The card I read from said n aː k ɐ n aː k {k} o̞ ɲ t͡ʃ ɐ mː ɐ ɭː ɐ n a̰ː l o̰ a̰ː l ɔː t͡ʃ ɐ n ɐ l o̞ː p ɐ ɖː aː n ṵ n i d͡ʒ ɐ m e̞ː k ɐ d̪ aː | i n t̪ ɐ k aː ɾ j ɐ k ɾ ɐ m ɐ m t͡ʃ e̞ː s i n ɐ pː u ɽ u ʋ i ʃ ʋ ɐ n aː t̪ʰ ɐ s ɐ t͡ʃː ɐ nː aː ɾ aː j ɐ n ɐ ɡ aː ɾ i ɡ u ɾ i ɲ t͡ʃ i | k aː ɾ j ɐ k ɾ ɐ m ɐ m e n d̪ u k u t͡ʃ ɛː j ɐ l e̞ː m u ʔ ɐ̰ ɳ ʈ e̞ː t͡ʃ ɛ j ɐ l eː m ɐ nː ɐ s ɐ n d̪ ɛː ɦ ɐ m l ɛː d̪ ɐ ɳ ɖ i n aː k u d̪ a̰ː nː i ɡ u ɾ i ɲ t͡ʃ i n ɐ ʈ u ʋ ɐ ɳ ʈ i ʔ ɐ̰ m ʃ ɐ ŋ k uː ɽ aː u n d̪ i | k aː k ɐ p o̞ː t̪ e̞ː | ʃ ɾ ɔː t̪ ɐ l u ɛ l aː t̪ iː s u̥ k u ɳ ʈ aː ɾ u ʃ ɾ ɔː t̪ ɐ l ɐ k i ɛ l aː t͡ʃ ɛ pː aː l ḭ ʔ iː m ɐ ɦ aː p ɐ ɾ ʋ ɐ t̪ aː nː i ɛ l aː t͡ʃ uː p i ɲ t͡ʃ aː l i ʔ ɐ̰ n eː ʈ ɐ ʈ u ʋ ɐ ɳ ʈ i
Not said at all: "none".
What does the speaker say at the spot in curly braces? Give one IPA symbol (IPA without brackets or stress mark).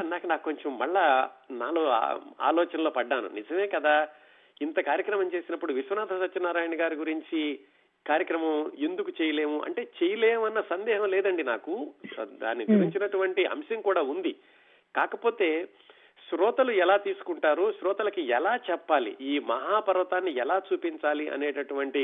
k